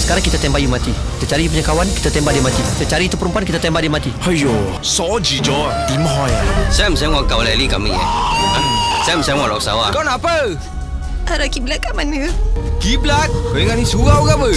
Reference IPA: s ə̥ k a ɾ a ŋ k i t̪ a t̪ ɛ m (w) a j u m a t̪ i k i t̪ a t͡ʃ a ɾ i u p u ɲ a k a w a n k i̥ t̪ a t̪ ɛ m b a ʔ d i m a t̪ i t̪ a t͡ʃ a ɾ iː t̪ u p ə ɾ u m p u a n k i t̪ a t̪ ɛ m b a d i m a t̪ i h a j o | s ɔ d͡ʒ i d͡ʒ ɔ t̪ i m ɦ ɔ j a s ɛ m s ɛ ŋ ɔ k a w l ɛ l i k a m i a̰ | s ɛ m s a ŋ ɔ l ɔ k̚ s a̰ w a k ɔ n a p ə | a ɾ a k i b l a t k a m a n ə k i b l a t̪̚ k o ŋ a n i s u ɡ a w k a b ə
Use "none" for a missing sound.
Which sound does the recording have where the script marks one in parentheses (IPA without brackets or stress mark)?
b